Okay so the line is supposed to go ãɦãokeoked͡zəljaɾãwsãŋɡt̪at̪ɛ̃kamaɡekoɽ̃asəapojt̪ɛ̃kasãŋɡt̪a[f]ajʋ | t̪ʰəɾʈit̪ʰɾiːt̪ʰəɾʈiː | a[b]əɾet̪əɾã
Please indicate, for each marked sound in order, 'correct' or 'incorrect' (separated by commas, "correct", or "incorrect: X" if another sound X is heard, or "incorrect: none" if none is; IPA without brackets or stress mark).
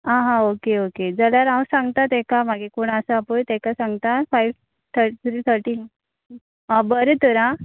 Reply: correct, correct